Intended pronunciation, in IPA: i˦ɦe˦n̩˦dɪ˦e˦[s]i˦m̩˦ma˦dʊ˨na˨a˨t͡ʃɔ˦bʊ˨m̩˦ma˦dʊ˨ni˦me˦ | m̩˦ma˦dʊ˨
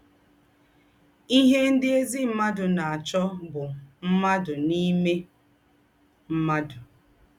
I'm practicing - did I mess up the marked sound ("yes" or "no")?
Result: yes